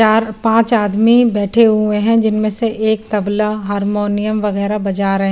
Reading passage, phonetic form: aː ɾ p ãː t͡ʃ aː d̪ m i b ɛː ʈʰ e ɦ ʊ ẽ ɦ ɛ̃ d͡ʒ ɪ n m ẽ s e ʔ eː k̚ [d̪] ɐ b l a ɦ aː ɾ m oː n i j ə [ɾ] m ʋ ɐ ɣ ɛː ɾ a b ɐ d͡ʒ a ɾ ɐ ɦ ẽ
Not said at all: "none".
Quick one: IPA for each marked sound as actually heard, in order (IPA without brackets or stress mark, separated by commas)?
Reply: t̪, none